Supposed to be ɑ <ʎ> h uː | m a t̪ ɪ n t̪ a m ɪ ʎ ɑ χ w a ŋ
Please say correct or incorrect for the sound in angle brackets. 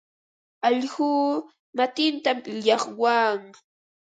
correct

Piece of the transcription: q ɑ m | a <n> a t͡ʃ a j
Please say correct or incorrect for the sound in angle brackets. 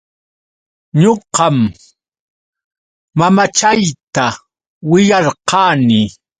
incorrect: m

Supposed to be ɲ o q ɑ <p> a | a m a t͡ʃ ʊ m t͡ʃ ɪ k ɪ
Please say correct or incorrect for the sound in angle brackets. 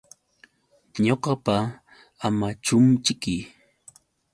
correct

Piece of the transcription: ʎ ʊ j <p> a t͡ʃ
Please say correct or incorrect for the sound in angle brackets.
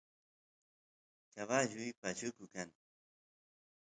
correct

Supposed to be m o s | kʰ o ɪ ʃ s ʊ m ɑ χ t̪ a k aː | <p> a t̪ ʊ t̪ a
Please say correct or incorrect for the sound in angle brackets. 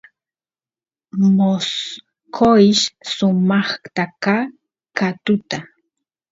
incorrect: k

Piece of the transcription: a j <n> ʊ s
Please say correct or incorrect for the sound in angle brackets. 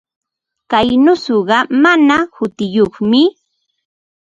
correct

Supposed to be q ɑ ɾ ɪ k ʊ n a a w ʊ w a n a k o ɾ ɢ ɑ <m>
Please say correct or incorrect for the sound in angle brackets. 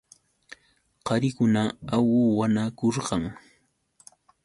incorrect: ŋ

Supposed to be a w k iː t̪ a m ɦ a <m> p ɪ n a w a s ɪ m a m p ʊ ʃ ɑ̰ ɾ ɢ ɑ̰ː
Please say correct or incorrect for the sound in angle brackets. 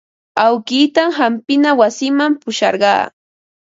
correct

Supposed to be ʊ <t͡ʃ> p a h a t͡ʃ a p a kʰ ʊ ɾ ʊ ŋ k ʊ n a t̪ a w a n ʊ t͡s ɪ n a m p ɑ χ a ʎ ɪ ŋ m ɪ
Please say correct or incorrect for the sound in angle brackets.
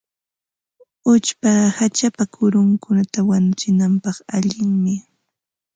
correct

